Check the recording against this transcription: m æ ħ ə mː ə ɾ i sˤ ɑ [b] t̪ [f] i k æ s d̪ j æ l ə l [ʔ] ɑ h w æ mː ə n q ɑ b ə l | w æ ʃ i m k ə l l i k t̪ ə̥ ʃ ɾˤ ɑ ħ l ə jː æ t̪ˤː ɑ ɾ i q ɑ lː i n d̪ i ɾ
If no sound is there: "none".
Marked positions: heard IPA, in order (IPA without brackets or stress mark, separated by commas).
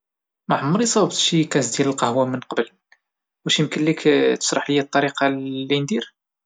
b, ʃ, q